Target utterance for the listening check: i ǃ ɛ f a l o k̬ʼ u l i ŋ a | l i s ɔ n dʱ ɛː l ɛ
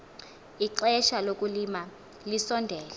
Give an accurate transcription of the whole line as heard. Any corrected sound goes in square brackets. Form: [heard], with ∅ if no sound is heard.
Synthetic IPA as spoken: i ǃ ɛ [ʃ] a l o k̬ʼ u l i [m] a | l i s ɔ n dʱ ɛː l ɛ